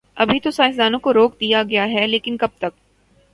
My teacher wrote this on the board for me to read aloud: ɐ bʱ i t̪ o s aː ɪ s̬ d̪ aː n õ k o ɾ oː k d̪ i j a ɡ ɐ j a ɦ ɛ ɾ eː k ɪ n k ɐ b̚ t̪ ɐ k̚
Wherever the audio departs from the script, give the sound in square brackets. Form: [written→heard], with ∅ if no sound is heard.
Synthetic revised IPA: ɐ bʱ i t̪ o s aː ɪ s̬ d̪ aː n õ k o ɾ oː k d̪ i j a ɡ ɐ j a ɦ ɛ [ɾ→l] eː k ɪ n k ɐ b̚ t̪ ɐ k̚